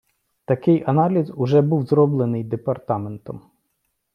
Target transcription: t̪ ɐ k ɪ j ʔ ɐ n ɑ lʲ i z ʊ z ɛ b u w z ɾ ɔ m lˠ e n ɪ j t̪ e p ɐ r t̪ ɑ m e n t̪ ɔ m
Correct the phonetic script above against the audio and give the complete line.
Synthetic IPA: t̪ ɐ k ɪ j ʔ ɐ n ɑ lʲ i z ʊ ʒ ɛ b u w z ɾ ɔ b lˠ e n ɪ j d̪ e p ɐ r t̪ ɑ m e n t̪ ɔ m